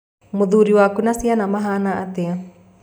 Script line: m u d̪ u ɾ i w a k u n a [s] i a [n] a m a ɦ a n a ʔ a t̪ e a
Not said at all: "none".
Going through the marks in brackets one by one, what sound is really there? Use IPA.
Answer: s, n

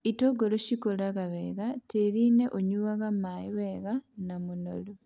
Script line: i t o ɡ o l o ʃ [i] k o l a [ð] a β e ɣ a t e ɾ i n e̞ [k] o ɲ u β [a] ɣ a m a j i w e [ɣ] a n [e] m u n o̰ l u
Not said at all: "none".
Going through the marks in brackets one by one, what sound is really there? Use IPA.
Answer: i, ɣ, ʔ, a, ɣ, a

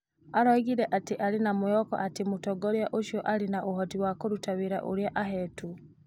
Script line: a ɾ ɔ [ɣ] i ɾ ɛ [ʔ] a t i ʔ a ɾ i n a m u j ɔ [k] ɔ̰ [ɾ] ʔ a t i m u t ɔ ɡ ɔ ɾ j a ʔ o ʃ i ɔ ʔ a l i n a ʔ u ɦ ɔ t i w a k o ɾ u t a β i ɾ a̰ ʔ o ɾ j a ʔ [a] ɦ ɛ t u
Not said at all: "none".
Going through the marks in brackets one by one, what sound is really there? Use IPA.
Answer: ɣ, ʔ, k, none, a

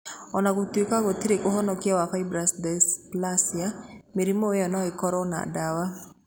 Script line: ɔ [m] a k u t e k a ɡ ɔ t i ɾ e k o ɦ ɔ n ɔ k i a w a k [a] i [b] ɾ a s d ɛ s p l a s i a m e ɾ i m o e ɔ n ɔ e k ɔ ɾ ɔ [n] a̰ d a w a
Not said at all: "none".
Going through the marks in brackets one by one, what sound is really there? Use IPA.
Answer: n, a, b, n

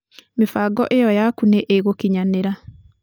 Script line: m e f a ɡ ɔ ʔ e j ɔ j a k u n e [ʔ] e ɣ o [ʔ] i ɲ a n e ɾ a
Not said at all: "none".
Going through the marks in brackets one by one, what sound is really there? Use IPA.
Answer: ʔ, k

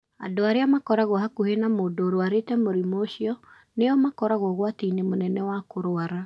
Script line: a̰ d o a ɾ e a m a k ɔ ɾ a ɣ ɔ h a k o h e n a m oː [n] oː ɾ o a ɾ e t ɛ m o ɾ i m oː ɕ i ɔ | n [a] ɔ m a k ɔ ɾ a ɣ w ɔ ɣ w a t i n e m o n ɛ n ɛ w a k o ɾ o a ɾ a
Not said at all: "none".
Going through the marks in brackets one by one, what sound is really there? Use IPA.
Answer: d, e

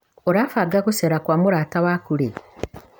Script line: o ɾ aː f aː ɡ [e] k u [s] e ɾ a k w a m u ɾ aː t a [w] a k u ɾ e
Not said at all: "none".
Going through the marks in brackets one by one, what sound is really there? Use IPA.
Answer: a, s, w

